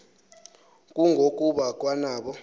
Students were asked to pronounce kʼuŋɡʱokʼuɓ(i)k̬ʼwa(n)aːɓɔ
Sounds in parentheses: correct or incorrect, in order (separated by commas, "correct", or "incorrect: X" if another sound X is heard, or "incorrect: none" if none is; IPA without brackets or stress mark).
incorrect: a, correct